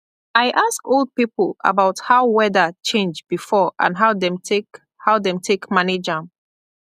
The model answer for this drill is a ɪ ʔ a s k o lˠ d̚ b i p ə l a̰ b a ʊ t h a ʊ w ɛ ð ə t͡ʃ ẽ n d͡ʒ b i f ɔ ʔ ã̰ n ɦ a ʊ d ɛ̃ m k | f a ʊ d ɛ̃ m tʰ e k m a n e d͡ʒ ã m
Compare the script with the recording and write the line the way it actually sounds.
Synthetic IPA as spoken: a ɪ ʔ a s k o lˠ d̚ p i p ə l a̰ b a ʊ t h a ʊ w ɛ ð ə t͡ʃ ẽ n d͡ʒ b i f ɔ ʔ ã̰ n ɦ a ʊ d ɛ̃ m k | h a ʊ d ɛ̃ m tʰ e k m a n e d͡ʒ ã m